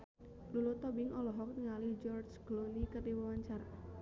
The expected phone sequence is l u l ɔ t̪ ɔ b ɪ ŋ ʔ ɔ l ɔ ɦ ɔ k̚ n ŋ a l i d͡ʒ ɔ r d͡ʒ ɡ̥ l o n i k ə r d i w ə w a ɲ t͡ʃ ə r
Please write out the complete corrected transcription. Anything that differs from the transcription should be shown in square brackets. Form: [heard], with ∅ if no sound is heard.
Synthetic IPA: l u l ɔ t̪ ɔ b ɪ ŋ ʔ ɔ l ɔ ɦ ɔ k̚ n ŋ a l i d͡ʒ ɔ r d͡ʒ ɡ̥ l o n i k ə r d i w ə w a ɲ t͡ʃ [a] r